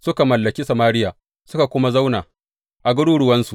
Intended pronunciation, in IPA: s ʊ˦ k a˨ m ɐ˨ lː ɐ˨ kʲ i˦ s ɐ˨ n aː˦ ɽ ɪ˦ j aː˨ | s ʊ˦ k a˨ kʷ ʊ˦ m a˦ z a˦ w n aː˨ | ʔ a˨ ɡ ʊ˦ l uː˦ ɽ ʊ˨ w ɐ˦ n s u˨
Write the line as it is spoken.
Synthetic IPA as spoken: s ʊ˦ k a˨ m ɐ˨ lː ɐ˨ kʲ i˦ s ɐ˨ m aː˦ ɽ ɪ˦ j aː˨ | s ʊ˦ k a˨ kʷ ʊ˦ m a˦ z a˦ w n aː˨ | ʔ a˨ ɡ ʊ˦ ɽ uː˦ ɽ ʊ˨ w ɐ˦ n s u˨